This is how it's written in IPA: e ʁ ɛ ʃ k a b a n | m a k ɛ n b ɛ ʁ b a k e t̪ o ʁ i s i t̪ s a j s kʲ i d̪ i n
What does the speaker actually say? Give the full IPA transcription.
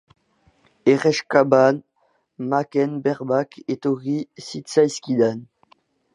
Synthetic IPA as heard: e ʁ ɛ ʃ k a b a n | m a k ɛ n b ɛ ʁ b a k e t̪ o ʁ i s i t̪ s a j s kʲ i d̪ a n